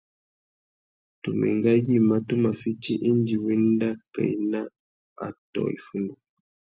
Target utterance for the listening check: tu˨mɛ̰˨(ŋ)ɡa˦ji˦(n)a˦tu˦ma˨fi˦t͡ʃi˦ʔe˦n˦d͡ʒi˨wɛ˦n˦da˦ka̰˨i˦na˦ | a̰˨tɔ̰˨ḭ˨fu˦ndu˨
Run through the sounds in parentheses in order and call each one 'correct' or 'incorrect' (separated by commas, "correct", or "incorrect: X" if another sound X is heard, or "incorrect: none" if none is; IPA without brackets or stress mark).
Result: correct, incorrect: m